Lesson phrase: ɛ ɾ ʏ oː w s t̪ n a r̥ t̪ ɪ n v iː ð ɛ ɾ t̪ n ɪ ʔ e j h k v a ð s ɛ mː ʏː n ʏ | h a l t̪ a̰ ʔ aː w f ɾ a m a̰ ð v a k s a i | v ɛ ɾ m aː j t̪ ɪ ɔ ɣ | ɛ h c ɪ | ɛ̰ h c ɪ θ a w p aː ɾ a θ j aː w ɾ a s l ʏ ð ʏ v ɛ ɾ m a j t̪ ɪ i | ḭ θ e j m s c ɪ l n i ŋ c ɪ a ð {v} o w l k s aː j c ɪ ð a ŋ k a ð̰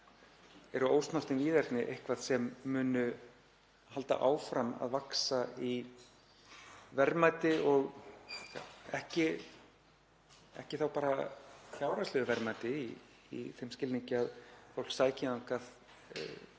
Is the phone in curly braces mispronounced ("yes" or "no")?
yes